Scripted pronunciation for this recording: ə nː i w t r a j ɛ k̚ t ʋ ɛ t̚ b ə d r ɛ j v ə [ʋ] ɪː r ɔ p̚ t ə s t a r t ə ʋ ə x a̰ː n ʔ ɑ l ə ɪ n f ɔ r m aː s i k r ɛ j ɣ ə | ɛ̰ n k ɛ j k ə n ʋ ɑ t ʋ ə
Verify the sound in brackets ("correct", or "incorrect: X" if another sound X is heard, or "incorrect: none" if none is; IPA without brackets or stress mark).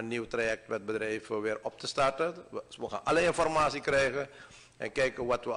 correct